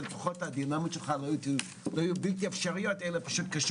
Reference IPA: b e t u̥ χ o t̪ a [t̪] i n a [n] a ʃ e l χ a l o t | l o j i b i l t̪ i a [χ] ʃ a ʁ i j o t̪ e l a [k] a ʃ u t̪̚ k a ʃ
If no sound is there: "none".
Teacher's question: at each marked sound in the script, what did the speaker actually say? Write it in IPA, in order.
d̪, m, f, p

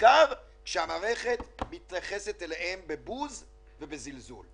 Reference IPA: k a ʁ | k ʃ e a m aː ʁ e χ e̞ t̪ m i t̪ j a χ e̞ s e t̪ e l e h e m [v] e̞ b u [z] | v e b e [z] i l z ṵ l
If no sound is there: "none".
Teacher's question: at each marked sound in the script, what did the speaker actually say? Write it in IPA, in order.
b, z, z

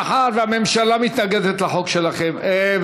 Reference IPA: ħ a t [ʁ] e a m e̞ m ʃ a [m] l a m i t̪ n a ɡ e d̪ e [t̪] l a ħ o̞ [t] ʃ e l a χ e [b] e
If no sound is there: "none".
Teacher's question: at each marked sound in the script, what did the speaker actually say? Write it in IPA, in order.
v, none, t̪, k, m

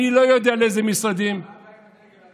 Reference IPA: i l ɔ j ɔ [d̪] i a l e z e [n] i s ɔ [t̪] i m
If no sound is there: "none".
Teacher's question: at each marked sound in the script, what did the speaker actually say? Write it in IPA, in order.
d̪, m, d̪

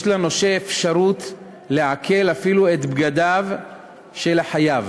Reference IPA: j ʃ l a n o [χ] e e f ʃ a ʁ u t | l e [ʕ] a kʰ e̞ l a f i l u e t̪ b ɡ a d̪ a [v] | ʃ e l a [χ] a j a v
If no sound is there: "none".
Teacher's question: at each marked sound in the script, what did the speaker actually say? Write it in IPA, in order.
ʃ, ʕ, v, ħ

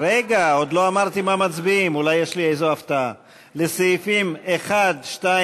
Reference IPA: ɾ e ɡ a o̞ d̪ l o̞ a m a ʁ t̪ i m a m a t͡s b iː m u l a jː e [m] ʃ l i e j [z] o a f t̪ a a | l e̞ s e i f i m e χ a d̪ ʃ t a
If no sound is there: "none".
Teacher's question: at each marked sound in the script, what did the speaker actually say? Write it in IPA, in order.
none, z

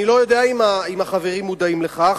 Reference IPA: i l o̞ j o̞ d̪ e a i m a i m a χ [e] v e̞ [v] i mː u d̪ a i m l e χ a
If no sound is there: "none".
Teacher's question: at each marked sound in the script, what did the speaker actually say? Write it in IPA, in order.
a, ʁ

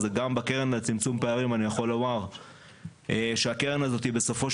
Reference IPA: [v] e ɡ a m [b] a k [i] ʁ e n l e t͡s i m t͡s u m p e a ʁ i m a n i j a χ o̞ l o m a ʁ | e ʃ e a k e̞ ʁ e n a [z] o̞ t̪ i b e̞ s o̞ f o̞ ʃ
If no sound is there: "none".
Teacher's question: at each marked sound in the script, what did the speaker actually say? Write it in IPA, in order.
z, b, e, z

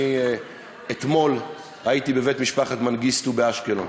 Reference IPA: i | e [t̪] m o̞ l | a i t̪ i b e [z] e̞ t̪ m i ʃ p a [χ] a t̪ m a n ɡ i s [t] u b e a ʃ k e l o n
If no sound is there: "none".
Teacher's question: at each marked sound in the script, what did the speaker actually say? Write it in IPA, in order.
t̪, v, χ, t

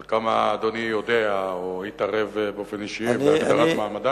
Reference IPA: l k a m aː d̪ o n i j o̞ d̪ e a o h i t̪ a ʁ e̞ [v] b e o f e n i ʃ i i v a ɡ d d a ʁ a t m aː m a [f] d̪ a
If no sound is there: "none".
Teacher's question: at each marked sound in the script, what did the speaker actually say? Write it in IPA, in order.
v, none

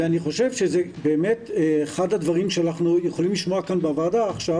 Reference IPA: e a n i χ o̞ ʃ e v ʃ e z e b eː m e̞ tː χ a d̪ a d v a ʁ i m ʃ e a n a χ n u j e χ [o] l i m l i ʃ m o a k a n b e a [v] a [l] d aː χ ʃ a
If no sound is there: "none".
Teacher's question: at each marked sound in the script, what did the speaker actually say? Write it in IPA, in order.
o, v, none

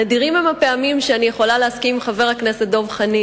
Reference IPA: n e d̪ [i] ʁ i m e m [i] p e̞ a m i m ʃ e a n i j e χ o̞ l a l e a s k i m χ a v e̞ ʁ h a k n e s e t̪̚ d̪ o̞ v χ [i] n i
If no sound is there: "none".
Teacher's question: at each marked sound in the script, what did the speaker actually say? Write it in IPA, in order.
i, a, a

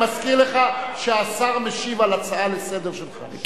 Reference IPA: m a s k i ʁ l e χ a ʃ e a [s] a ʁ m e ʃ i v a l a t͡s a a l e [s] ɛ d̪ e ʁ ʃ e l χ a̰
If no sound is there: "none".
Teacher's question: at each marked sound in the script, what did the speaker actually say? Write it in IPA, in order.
s, s

